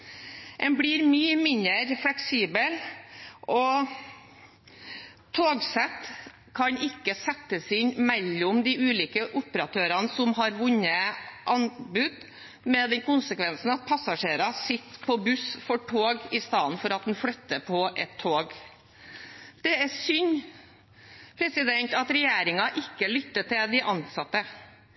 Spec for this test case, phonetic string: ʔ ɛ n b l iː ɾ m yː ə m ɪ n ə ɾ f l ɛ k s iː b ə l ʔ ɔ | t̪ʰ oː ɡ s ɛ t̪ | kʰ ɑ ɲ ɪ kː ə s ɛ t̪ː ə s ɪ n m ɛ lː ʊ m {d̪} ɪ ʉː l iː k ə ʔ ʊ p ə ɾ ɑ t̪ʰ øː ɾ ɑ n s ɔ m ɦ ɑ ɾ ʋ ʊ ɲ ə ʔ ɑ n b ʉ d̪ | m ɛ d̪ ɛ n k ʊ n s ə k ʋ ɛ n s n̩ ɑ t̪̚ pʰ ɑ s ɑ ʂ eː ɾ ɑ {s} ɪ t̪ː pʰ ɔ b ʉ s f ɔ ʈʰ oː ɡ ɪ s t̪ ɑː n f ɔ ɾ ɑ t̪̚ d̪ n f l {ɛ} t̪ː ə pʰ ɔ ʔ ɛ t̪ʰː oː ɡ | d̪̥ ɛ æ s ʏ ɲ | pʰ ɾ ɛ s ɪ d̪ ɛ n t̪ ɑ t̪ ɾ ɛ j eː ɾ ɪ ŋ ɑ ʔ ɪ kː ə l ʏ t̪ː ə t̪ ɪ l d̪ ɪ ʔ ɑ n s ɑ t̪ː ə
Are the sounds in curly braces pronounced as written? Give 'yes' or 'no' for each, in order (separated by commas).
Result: yes, yes, no